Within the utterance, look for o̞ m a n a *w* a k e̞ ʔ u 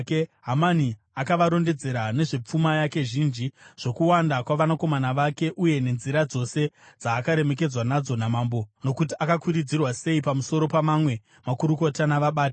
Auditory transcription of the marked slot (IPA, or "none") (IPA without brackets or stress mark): ʋ